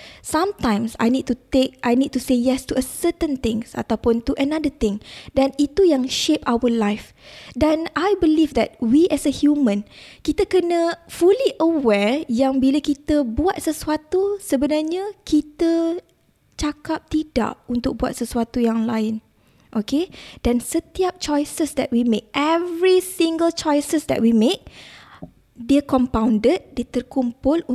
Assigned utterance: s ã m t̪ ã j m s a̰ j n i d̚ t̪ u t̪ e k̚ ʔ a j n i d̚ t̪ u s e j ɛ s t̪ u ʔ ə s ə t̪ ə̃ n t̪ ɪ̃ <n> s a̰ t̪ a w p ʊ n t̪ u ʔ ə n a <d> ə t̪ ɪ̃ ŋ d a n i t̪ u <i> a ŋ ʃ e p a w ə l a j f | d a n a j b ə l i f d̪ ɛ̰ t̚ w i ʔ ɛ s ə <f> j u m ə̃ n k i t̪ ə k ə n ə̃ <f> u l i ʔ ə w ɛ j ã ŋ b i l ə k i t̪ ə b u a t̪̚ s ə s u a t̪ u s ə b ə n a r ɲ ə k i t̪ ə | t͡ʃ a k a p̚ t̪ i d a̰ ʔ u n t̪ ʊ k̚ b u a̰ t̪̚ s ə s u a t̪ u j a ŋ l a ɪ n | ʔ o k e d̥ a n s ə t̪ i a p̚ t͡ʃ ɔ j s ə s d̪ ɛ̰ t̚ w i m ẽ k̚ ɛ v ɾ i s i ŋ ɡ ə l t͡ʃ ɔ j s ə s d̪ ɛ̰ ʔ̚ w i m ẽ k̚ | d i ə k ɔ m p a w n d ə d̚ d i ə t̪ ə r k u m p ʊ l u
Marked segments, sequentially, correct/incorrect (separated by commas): incorrect, correct, incorrect, incorrect, correct